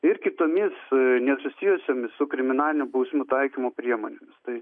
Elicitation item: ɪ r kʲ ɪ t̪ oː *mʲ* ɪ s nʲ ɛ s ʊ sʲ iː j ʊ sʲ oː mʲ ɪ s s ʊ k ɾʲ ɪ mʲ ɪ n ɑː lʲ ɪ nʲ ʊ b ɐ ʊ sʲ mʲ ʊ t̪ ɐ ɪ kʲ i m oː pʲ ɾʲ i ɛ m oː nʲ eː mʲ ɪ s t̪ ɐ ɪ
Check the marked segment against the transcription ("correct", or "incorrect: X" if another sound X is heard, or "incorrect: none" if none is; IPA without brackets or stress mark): correct